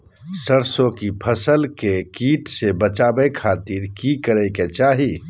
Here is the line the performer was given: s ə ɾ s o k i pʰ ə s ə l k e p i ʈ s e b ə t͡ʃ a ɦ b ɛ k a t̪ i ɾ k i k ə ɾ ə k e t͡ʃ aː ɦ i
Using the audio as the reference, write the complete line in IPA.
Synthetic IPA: s ə ɾ s o k i pʰ ə s ə l k e k i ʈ s e b ə t͡ʃ a b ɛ kʰ a t̪ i ɾ k i k ə ɾ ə k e t͡ʃ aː ɦ i